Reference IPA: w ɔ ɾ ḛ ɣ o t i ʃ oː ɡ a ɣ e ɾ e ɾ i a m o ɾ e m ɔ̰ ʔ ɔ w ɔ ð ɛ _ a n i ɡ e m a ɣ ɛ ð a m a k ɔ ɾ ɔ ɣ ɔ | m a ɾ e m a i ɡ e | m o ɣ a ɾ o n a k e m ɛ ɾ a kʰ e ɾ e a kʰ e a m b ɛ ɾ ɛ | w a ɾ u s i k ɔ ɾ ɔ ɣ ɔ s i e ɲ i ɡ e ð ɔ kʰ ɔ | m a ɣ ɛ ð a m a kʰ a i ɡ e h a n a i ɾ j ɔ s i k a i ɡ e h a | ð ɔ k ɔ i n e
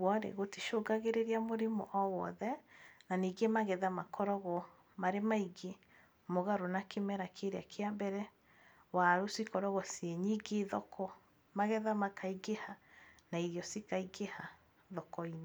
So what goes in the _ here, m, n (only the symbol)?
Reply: n